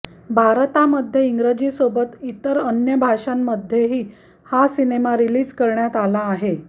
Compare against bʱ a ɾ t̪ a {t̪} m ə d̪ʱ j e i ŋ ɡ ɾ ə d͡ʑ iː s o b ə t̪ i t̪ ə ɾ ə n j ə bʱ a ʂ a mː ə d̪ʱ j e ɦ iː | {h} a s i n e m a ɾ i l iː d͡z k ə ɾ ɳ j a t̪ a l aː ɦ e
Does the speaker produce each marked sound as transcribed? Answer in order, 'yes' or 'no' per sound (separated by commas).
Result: no, yes